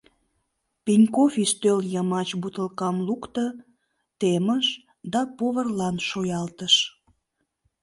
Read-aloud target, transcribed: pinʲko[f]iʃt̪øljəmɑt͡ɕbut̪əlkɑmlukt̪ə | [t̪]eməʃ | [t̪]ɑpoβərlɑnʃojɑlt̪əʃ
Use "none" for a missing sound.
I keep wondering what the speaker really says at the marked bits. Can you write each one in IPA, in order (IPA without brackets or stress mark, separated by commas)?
f, t̪, d̪